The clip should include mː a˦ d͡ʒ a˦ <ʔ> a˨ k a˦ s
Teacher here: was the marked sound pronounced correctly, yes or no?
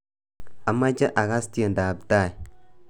yes